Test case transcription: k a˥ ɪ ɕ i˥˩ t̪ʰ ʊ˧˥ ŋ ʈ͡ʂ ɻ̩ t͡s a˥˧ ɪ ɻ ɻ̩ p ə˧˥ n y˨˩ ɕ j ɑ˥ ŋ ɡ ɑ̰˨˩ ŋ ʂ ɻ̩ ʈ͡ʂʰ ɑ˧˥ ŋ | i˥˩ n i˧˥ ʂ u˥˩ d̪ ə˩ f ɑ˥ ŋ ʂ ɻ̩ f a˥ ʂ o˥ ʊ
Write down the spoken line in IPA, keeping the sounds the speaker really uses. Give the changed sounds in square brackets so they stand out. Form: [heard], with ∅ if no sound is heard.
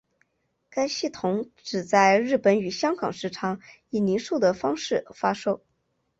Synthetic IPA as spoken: k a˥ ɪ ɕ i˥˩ t̪ʰ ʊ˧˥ ŋ ʈ͡ʂ ɻ̩ t͡s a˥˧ ɪ ɻ ɻ̩ p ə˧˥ n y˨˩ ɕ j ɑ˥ ŋ ɡ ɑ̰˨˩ ŋ ʂ ɻ̩ ʈ͡ʂʰ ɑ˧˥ ŋ | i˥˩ n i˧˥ ʂ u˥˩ d̪ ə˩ f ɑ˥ ŋ ʂ ɻ̩ f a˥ ʂ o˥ ʊ